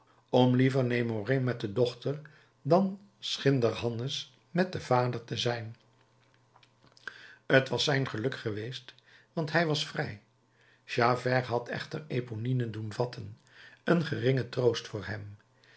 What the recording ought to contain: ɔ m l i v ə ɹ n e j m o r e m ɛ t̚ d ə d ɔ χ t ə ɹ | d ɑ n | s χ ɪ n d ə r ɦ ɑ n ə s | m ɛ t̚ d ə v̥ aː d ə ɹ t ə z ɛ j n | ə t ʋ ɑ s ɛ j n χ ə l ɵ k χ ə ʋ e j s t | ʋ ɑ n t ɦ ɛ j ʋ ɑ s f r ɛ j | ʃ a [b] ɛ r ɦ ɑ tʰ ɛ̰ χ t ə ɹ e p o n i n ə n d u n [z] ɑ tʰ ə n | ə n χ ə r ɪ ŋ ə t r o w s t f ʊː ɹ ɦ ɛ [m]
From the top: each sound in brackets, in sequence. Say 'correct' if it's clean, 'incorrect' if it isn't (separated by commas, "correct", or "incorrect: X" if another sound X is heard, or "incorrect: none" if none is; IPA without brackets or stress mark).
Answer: incorrect: v, incorrect: v, correct